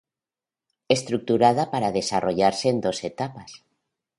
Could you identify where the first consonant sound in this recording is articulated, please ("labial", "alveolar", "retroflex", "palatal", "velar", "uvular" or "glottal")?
alveolar